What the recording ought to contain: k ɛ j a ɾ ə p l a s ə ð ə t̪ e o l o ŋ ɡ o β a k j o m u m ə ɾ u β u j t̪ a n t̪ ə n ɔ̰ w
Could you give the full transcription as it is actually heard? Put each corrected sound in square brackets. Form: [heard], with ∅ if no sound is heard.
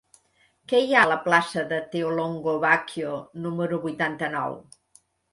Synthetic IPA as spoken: k ɛ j a [l] ə p l a s ə ð ə t̪ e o l o ŋ ɡ o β a k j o [n] u m ə ɾ u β u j t̪ a n t̪ ə n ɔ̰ w